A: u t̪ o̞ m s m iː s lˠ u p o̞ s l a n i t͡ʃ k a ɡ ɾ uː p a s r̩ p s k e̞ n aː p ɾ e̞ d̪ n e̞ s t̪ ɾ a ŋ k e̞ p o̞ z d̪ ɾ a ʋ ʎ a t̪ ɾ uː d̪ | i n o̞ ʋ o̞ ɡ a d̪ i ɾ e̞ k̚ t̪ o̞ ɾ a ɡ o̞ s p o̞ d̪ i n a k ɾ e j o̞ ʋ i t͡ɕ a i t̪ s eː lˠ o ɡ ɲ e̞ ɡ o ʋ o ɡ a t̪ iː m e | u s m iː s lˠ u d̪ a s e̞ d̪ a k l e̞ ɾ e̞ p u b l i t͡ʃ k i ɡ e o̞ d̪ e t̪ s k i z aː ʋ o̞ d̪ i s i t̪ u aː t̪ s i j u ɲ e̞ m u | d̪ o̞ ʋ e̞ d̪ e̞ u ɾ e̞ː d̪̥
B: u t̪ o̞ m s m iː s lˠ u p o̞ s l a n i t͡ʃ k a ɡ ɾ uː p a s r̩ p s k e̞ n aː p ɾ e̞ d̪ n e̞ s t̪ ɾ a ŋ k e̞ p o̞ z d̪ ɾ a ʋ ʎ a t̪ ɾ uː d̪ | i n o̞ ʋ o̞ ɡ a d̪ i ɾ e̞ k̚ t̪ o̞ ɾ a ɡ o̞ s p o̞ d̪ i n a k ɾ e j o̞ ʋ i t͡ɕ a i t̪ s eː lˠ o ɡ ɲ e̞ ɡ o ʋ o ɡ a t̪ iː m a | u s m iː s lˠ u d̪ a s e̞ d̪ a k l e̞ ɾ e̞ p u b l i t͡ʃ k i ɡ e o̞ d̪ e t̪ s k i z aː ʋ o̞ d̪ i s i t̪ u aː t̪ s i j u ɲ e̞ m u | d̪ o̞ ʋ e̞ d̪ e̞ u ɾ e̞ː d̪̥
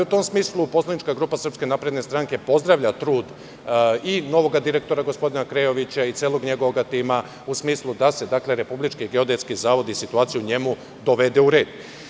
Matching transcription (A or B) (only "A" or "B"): B